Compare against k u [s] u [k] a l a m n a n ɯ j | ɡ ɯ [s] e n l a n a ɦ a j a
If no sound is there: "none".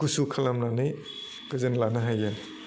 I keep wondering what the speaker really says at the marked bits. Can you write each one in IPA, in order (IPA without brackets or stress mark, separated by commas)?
s, kʰ, z